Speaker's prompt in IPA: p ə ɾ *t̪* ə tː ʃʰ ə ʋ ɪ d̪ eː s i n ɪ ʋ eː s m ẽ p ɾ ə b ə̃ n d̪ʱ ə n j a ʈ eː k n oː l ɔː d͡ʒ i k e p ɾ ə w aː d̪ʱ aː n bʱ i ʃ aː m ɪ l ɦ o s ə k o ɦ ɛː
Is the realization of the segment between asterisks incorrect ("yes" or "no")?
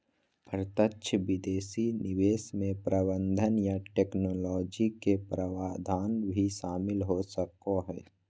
no